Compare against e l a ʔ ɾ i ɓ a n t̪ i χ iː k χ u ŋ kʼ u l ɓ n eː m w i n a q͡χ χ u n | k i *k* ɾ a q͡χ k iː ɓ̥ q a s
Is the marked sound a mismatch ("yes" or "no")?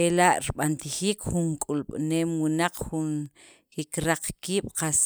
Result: no